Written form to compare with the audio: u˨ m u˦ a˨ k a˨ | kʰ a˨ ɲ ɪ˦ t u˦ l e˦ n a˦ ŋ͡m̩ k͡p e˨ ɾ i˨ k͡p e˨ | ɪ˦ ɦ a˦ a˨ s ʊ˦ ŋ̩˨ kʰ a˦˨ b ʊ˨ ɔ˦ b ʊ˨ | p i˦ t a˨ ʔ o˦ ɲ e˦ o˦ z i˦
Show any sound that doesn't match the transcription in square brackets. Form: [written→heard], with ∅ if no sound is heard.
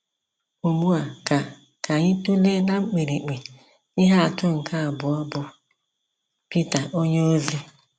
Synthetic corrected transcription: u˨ m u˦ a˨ k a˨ | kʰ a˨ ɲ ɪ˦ t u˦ l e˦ n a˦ ŋ͡m̩ k͡p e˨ ɾ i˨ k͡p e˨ | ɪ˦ ɦ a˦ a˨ [s→t] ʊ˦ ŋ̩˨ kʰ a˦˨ b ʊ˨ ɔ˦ b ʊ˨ | p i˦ t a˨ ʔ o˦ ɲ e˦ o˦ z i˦

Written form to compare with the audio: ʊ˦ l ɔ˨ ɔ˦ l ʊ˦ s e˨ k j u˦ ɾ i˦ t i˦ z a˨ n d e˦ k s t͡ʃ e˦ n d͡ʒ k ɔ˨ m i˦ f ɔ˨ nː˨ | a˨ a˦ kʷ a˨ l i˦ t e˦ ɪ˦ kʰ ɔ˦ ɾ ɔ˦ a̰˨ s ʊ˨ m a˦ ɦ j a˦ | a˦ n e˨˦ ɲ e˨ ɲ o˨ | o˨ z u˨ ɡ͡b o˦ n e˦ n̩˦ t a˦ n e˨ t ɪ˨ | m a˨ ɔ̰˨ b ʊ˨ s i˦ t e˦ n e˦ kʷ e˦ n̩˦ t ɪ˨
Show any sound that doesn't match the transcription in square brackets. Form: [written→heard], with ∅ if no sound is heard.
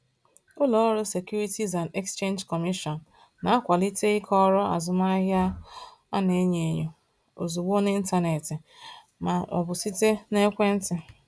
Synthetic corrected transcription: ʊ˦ l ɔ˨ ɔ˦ [l→ɾ] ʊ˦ s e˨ k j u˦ ɾ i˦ t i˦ z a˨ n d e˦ k s t͡ʃ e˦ n d͡ʒ k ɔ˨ m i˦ [f→ʃ] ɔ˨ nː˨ | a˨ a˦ kʷ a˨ l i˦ t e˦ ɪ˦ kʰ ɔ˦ ɾ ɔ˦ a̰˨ [s→z] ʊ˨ m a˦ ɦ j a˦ | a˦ n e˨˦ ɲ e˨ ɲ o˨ | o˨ z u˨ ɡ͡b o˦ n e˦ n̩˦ t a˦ n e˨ t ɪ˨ | m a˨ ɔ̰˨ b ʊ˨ s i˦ t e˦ n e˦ kʷ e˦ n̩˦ t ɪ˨

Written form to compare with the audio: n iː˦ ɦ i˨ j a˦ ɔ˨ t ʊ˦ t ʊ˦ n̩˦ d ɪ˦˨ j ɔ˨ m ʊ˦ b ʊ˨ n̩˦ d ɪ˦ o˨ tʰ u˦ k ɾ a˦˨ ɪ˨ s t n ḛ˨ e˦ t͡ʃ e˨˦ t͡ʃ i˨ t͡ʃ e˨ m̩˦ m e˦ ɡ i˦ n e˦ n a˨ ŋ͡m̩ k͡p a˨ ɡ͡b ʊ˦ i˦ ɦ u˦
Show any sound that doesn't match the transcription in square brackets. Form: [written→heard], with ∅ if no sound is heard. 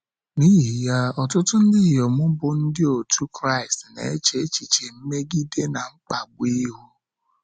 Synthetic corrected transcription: n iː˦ ɦ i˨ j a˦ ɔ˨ t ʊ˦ t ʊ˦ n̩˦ d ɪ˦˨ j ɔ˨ m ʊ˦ b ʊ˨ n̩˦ d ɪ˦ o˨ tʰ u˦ k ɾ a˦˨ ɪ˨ s t n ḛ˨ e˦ t͡ʃ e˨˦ t͡ʃ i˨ t͡ʃ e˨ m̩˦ m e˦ ɡ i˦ [n→d] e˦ n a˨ ŋ͡m̩ k͡p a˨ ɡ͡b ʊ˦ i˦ ɦ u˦

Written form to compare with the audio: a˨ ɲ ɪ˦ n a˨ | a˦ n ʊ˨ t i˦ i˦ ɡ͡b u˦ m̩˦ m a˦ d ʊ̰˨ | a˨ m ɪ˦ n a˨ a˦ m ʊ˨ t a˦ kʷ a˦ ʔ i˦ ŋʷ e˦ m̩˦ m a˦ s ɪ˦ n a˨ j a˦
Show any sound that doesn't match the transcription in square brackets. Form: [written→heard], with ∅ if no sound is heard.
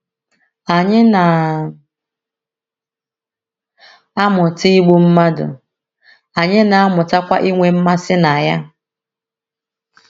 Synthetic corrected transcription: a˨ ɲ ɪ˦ n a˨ | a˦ [n→m] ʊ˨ t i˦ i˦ ɡ͡b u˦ m̩˦ m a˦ d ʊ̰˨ | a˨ [m→ɲ] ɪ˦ n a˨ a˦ m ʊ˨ t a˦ kʷ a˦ ʔ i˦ ŋʷ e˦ m̩˦ m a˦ s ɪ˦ n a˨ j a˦

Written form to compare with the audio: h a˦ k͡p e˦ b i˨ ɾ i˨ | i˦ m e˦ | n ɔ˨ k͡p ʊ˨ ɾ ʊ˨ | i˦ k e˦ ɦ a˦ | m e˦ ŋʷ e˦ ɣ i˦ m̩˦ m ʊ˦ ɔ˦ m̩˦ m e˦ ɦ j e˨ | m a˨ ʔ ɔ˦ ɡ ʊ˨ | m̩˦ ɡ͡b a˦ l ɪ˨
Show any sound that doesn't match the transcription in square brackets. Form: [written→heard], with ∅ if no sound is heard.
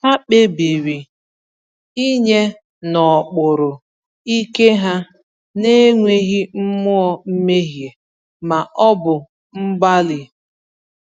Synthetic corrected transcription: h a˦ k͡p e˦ b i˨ ɾ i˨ | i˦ [m→ɲ] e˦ | n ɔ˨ k͡p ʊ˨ ɾ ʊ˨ | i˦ k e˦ ɦ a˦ | [m→n] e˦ ŋʷ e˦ ɣ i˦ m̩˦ m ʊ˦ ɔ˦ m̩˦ m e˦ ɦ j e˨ | m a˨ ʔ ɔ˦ [ɡ→b] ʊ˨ | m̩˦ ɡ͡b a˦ l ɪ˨

